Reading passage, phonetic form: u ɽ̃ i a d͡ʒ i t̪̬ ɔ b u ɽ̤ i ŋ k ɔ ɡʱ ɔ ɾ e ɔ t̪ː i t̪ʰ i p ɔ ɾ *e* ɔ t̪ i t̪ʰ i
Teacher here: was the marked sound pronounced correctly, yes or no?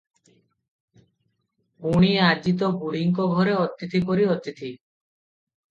no